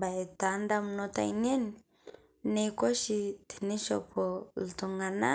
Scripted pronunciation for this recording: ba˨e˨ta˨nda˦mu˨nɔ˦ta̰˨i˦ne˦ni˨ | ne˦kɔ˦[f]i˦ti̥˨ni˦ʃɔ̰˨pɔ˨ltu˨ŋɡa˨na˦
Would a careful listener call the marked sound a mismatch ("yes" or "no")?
yes